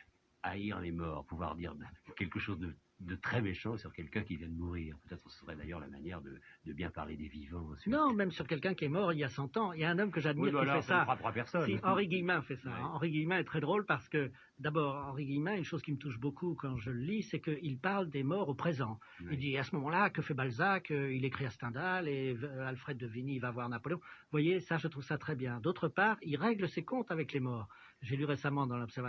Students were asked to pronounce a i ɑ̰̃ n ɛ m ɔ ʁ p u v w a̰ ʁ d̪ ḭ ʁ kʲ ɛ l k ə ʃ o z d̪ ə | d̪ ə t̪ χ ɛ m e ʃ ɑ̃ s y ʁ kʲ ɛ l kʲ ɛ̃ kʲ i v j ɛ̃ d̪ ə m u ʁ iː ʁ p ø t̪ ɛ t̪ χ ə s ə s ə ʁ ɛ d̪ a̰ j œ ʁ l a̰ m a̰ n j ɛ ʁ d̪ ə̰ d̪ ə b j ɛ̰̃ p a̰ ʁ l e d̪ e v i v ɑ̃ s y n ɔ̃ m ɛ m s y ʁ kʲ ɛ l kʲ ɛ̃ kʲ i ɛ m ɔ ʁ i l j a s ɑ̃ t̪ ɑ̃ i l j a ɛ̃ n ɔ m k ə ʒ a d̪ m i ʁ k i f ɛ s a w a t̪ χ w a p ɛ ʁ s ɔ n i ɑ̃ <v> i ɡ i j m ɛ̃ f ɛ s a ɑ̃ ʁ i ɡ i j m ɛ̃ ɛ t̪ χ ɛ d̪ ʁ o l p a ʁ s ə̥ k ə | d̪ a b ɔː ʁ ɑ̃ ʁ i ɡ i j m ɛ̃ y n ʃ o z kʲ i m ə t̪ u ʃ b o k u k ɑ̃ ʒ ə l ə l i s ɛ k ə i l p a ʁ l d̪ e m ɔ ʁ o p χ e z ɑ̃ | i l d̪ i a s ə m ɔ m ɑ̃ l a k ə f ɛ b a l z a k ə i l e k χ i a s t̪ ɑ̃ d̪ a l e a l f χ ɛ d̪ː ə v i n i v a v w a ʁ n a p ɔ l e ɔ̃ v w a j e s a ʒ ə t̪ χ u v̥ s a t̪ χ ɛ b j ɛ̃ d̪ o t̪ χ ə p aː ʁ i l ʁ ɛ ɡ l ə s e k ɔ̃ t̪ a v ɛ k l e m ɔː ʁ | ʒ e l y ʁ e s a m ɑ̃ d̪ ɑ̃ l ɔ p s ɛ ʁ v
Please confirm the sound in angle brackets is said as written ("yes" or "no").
no